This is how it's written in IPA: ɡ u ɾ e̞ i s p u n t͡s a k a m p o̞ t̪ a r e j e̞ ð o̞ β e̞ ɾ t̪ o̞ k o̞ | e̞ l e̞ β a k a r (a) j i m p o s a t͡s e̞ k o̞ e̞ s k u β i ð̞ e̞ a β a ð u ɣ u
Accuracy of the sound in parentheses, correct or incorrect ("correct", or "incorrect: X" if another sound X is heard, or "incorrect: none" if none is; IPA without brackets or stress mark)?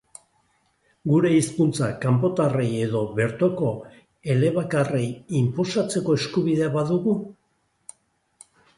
incorrect: e